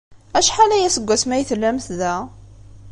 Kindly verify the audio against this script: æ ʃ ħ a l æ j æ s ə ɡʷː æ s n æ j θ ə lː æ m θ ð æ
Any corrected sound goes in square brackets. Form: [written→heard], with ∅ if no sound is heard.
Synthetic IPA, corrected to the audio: æ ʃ ħ a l æ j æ s ə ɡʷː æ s [n→m] æ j θ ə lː æ m θ ð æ